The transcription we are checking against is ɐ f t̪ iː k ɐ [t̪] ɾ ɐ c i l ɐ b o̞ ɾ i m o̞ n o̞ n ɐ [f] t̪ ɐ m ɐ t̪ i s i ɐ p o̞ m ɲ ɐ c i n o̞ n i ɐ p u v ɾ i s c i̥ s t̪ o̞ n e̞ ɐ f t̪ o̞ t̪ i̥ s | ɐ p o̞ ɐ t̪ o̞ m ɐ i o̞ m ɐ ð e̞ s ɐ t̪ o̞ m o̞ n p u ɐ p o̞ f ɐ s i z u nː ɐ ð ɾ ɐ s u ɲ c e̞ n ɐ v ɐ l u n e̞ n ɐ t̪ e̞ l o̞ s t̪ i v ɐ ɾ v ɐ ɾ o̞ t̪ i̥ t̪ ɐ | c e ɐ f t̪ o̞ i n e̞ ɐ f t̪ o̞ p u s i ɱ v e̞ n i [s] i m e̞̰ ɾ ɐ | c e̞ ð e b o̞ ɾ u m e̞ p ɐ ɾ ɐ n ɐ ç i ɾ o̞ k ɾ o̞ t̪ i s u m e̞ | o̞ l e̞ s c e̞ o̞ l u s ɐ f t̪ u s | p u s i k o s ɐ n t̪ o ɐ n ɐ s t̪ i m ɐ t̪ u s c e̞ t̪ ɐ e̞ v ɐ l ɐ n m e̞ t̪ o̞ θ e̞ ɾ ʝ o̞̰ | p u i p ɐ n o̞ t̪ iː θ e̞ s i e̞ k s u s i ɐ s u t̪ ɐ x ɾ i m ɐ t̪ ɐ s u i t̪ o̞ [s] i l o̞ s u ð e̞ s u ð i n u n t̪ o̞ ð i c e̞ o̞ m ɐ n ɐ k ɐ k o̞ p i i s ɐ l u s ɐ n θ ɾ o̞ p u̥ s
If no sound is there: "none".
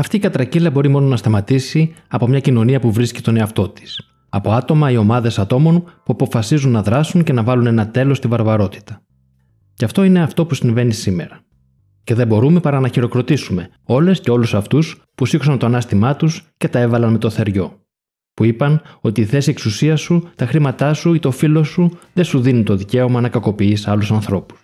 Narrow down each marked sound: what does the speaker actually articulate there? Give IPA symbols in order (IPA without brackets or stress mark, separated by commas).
t̪, s, s, f